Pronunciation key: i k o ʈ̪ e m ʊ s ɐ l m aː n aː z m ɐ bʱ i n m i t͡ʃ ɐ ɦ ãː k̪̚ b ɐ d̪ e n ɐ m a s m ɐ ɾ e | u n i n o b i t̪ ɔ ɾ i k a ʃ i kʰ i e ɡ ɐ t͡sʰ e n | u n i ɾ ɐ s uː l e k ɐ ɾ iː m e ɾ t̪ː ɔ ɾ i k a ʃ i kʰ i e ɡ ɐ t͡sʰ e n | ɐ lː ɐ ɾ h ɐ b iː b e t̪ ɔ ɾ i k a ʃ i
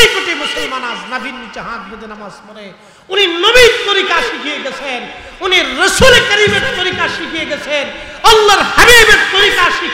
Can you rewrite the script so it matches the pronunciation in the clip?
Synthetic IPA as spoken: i k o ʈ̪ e m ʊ s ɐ l m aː n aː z n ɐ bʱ i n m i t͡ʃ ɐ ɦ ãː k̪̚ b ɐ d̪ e n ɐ m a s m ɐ ɾ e | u n i n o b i t̪ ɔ ɾ i k a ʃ i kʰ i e ɡ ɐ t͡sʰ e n | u n i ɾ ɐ s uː l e k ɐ ɾ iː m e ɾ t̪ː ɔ ɾ i k a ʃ i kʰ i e ɡ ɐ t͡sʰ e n | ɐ lː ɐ ɾ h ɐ b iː b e t̪ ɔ ɾ i k a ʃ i